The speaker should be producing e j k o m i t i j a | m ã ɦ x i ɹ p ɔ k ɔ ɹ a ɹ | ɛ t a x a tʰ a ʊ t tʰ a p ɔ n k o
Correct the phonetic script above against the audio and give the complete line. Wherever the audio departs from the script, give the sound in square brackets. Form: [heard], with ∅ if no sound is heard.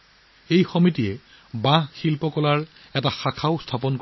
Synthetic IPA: e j [x] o m i t i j [ɛ] | [b] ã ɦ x i [l] p ɔ k ɔ [l] a ɹ | ɛ t a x a [kʰ] a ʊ [s] tʰ a p ɔ n k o